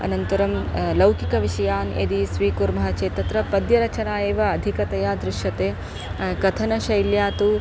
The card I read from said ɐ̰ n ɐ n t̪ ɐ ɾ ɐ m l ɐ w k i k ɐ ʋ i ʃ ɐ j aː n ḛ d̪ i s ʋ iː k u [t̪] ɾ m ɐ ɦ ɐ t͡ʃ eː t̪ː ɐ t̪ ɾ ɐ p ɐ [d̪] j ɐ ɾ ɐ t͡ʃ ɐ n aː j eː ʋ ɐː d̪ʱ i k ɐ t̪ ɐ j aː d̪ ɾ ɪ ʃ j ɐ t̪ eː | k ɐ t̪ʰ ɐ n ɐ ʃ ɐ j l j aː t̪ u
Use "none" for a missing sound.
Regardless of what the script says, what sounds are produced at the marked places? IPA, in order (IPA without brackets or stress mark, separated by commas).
none, d̪